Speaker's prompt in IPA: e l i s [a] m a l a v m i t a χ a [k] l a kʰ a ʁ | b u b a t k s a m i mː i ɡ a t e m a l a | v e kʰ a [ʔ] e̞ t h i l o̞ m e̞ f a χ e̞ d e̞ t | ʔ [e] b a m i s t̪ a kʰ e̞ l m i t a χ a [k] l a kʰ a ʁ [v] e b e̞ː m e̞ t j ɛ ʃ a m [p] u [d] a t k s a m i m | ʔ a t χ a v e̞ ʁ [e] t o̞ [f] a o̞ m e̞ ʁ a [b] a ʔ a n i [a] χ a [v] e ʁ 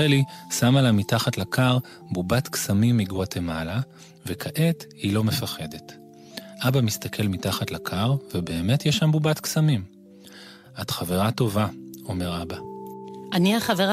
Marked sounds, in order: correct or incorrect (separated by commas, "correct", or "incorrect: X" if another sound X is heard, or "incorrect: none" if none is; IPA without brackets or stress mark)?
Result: correct, incorrect: t, correct, incorrect: a, incorrect: t, correct, incorrect: b, incorrect: b, incorrect: a, incorrect: v, correct, correct, correct